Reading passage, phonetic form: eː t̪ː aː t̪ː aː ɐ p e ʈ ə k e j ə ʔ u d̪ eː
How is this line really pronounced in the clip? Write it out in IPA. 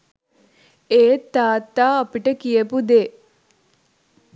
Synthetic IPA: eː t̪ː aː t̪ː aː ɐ p i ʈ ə k i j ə p u d̪ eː